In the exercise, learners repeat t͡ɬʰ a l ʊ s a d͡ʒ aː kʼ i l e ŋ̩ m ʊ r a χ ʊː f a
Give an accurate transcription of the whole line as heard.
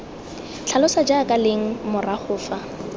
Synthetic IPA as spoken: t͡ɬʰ a l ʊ s a d͡ʒ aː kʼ a l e ŋ̩ m ʊ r a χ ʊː f a